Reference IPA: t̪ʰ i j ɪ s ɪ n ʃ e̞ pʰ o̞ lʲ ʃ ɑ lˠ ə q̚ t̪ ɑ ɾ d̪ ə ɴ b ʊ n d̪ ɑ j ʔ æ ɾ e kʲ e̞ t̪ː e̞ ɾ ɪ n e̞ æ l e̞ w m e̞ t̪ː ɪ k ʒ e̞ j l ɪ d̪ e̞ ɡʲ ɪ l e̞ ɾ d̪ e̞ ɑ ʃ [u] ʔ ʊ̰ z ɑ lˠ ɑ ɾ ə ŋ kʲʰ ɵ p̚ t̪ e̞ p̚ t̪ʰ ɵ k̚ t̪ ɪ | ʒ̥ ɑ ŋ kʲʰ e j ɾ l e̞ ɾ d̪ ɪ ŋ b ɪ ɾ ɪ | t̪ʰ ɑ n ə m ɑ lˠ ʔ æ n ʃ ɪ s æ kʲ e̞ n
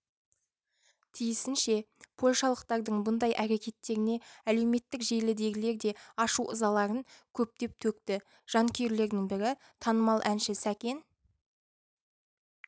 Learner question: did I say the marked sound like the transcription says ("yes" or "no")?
yes